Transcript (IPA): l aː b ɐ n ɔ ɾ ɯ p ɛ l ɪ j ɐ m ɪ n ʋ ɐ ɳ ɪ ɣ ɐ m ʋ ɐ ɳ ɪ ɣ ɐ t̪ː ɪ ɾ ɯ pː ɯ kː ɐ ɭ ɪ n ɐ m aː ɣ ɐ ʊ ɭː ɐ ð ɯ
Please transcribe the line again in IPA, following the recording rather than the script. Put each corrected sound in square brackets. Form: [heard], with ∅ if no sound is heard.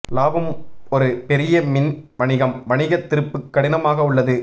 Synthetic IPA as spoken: l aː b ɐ [m] ɔ ɾ ɯ p ɛ [ɾ] ɪ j ɐ m ɪ n ʋ ɐ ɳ ɪ ɣ ɐ m ʋ ɐ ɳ ɪ ɣ ɐ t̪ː ɪ ɾ ɯ pː ɯ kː ɐ [ɽ] ɪ n ɐ m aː ɣ ɐ ʊ ɭː ɐ ð ɯ